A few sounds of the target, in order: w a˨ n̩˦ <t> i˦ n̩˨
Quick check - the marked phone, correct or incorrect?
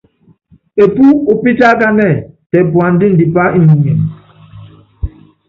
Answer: incorrect